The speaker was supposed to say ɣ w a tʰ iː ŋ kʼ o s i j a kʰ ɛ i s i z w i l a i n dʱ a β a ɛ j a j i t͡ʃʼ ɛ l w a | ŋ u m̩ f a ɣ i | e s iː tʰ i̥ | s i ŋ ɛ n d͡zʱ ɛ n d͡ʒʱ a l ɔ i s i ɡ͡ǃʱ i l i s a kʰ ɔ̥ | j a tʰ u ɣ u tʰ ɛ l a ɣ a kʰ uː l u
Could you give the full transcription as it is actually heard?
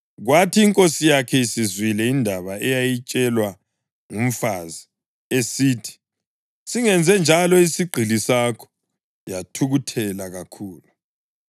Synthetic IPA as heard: ɣ w a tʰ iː ŋ kʼ o s i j a kʰ ɛ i s i z w i l ɛ i n dʱ a β a ɛ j a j i t͡ʃʼ ɛ l w a | ŋ u m̩ f a z i | e s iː tʰ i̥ | s i ŋ ɛ n d͡zʱ ɛ n d͡ʒʱ a l ɔ i s i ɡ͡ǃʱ i l i s a kʰ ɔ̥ | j a tʰ u ɣ u tʰ ɛ l a ɣ a kʰ uː l u